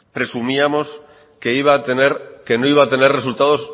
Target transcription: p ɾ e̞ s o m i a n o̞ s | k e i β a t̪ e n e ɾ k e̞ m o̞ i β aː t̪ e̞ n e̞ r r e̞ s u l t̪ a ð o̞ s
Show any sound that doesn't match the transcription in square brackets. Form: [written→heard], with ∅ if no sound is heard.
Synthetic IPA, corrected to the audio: p ɾ e̞ s [o→u] m i a [n→m] o̞ s | k e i β a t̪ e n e ɾ k e̞ [m→n] o̞ i β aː t̪ e̞ n e̞ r r e̞ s u l t̪ a ð o̞ s